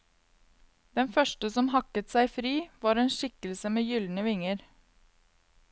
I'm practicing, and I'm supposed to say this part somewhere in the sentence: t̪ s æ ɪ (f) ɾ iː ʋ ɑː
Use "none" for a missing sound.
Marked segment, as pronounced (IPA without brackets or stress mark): f